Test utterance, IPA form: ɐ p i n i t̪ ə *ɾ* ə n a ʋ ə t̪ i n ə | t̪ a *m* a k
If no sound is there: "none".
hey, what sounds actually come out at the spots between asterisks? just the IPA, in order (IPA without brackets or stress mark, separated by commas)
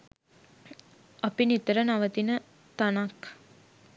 ɾ, n